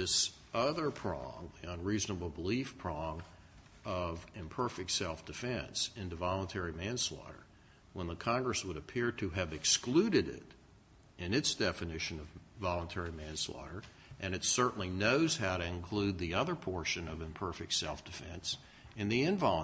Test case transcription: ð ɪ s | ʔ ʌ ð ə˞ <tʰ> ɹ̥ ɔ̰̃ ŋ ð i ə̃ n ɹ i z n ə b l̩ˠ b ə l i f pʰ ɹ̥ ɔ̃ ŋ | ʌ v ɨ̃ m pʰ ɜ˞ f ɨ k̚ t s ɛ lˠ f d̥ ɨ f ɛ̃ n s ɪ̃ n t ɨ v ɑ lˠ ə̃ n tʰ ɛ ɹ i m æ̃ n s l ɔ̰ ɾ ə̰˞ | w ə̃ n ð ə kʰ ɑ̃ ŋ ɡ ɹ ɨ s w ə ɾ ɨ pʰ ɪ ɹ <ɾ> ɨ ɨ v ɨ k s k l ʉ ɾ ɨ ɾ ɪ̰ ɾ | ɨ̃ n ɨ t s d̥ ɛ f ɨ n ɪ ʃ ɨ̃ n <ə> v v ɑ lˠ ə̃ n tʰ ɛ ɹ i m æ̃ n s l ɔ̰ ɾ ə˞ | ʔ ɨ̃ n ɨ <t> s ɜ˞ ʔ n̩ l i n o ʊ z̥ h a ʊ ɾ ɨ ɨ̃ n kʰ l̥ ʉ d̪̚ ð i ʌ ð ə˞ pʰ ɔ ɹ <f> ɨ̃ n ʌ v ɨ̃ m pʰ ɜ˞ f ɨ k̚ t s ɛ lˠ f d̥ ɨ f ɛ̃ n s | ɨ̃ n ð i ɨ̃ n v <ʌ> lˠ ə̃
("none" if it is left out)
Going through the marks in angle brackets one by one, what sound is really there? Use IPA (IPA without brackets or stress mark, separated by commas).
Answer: pʰ, ɾ, ʌ, t, ʃ, ɑ